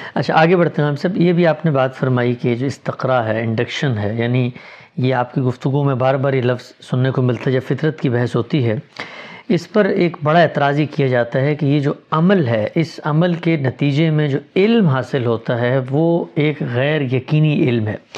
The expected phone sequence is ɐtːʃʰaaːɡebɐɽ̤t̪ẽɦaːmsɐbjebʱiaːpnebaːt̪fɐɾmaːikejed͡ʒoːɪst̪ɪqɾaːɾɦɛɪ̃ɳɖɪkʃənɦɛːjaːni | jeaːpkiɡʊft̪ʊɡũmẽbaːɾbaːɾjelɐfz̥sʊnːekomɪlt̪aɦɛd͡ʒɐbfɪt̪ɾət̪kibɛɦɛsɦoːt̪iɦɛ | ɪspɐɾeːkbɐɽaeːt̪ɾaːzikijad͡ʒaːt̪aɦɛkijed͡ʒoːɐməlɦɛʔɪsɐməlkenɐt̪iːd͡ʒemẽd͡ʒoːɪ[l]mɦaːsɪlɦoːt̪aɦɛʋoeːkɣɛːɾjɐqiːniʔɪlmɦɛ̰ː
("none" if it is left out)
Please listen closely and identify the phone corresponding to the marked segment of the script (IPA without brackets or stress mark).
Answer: l